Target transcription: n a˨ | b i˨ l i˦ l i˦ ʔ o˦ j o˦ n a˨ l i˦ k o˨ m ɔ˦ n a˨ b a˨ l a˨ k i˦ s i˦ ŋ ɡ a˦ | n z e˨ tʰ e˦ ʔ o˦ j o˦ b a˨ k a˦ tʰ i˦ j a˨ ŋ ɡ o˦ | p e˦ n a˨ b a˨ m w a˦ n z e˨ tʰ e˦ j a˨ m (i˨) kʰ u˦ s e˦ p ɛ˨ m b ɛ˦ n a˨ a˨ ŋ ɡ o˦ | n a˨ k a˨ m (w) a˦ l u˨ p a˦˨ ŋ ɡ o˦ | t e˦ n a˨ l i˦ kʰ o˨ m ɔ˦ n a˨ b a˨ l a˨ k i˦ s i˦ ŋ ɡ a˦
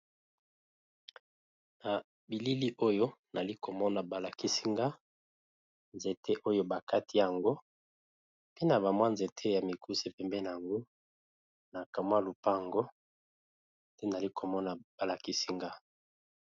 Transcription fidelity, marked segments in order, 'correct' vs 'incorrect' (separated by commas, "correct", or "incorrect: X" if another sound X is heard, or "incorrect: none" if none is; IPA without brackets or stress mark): correct, correct